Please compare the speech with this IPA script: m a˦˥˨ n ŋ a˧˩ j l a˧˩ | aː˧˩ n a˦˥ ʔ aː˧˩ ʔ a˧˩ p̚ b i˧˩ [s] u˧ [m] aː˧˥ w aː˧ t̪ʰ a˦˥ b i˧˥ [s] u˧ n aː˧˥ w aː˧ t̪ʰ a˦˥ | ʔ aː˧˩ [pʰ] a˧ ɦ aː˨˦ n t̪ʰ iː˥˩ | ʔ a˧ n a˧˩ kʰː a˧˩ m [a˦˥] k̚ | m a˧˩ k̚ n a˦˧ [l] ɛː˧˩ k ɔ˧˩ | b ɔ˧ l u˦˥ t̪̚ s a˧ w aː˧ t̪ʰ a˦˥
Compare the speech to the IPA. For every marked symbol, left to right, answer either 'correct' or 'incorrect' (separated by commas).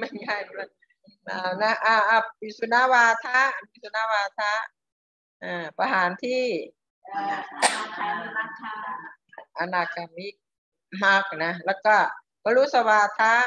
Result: correct, incorrect, correct, incorrect, incorrect, correct